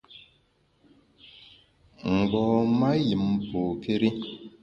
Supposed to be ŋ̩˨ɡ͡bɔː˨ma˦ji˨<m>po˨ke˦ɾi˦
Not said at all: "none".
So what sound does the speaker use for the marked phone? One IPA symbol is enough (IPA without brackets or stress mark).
m